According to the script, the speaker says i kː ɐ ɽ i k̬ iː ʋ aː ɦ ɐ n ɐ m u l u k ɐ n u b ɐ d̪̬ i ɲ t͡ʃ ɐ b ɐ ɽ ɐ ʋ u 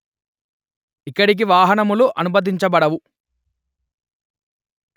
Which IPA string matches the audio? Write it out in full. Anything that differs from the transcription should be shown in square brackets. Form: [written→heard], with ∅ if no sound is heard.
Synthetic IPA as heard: i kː ɐ ɽ i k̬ [iː→i] ʋ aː ɦ ɐ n ɐ m u l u [k→ʔ] ɐ n u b ɐ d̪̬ i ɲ t͡ʃ ɐ b ɐ ɽ ɐ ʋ u